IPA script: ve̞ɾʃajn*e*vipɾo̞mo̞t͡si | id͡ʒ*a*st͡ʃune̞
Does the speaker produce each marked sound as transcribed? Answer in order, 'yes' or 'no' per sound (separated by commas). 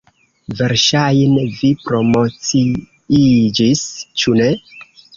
yes, no